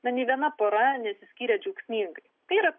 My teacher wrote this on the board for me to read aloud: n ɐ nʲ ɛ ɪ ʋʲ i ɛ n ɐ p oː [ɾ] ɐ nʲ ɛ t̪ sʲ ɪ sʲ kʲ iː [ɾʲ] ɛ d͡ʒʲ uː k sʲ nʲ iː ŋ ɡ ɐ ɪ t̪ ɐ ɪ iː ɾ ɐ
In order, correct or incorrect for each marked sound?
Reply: correct, correct

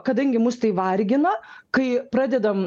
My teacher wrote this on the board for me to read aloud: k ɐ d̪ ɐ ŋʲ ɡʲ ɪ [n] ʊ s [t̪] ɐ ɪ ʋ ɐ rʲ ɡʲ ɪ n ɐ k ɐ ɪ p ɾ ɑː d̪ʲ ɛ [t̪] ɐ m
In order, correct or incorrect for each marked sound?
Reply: incorrect: m, correct, incorrect: d̪

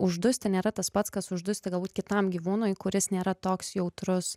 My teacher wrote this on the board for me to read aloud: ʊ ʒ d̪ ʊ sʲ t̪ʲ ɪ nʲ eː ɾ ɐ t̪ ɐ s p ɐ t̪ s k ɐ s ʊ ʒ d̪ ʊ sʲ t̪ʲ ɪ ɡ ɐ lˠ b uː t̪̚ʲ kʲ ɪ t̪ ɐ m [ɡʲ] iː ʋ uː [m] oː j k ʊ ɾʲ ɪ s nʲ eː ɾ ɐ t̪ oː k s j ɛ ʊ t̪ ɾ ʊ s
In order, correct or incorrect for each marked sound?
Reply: correct, incorrect: n

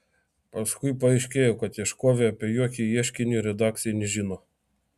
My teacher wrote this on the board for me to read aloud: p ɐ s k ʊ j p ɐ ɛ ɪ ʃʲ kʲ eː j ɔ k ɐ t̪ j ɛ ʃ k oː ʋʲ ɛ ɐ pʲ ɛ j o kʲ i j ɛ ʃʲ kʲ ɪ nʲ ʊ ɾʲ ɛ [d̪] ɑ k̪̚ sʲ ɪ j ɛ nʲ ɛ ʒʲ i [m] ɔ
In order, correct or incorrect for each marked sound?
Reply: correct, incorrect: n

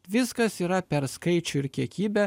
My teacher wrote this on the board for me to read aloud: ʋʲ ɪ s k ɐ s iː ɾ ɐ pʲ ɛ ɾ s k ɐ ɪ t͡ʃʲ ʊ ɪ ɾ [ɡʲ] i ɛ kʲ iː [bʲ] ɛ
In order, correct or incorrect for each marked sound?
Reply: incorrect: kʲ, correct

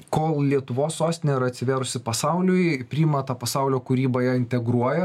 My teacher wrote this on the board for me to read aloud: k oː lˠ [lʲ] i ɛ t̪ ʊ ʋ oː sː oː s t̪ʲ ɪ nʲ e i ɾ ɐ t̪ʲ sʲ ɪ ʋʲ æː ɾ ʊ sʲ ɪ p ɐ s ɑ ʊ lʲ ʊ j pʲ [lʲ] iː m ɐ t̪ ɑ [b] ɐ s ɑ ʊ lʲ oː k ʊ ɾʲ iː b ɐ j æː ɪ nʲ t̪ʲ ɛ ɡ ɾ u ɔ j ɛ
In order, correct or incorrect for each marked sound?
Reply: correct, incorrect: ɾʲ, incorrect: p

